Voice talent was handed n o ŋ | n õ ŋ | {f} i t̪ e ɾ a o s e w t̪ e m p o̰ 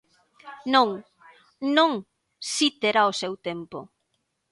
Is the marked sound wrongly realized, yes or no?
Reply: yes